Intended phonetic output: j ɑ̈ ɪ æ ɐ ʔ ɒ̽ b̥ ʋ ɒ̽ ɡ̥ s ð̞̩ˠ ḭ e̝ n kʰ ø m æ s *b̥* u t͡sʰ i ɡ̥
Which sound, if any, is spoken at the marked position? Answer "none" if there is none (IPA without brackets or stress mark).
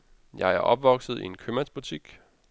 b̥